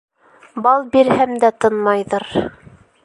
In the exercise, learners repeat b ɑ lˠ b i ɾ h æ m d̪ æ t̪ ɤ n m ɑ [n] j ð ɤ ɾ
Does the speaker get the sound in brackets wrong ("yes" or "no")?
yes